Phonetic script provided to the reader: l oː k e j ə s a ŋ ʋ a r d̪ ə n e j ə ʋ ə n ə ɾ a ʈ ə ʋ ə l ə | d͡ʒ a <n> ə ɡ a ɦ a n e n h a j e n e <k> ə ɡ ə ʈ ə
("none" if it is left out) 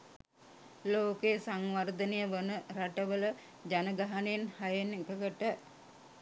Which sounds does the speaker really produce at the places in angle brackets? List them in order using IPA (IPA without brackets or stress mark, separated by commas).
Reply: n, k